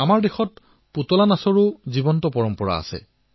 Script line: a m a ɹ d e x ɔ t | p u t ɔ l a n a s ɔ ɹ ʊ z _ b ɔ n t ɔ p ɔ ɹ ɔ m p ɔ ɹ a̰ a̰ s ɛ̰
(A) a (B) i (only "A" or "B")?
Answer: B